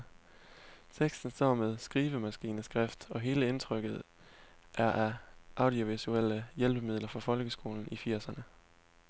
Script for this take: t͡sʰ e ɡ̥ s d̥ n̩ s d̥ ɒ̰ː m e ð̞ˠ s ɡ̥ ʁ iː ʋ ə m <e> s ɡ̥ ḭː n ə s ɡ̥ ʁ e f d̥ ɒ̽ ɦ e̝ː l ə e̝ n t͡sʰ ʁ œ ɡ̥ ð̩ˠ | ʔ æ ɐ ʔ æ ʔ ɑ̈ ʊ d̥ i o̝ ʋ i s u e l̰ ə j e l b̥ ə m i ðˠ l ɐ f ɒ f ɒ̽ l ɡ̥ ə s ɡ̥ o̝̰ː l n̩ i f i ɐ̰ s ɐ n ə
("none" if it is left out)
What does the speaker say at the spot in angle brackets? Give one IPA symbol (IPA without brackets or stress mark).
æ